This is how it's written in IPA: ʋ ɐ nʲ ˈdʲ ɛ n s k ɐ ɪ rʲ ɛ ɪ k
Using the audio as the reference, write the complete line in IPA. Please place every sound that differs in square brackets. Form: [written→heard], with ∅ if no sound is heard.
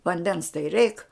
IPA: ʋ ɐ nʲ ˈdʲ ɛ n s [k→t] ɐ ɪ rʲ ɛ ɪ k